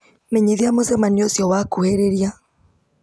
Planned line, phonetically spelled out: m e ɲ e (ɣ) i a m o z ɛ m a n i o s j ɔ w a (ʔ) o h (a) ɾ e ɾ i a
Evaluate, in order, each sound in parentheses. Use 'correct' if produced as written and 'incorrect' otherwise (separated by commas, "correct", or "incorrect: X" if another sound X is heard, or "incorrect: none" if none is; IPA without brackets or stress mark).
incorrect: ð, incorrect: k, incorrect: e